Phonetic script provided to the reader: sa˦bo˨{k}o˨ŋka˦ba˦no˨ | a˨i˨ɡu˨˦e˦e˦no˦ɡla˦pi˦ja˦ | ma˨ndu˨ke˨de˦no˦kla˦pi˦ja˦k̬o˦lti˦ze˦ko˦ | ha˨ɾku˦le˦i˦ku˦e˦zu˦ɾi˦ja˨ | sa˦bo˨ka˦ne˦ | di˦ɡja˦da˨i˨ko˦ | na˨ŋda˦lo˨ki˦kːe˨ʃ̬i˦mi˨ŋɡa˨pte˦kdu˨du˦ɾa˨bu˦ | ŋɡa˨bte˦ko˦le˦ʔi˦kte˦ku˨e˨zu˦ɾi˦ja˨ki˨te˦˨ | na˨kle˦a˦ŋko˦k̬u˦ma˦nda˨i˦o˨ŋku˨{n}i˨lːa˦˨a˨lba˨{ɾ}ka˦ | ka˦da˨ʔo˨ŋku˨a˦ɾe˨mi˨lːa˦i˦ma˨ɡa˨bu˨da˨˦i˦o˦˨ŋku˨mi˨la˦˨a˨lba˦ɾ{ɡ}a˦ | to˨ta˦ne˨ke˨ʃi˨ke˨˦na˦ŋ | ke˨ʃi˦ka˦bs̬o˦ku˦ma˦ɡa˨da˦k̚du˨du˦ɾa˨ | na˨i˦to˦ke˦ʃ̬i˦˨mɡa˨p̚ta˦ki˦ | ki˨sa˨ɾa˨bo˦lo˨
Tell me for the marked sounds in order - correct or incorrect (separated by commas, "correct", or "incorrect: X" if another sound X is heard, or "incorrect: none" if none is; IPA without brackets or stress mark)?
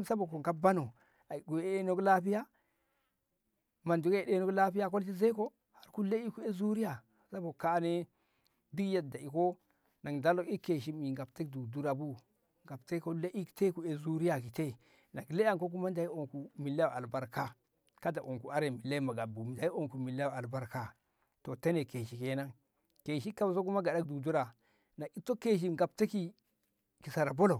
correct, incorrect: m, correct, incorrect: k